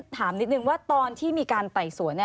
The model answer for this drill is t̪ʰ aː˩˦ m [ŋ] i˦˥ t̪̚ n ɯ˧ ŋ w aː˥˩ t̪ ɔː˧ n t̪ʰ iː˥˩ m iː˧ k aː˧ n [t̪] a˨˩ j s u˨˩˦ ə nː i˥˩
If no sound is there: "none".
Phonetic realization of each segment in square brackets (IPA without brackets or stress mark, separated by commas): n, t̪